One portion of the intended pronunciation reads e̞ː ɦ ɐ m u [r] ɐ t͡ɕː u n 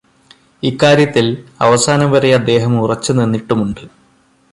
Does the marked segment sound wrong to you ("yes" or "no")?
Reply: no